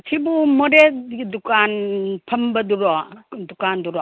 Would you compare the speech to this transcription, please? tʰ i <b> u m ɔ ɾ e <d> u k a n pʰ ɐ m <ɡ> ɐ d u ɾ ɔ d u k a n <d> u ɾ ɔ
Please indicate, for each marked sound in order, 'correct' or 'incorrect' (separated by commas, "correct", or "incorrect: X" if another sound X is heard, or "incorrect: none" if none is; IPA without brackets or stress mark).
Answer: correct, correct, incorrect: b, correct